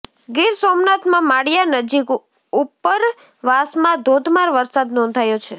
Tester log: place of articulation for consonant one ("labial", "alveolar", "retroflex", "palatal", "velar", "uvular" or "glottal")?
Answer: velar